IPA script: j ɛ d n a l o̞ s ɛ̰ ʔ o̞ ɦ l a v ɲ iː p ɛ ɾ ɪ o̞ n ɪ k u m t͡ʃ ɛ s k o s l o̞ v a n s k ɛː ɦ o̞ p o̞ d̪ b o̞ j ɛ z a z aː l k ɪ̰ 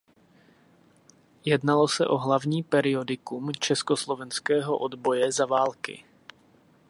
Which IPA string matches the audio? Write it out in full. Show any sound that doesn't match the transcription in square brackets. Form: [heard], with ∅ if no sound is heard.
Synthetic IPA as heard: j ɛ d n a l o̞ s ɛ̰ ʔ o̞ ɦ l a v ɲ iː p ɛ ɾ ɪ o̞ [d] ɪ k u m t͡ʃ ɛ s k o s l o̞ v [ɛ] n s k ɛː ɦ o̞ [ʔ] o̞ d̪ b o̞ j ɛ z a [v] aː l k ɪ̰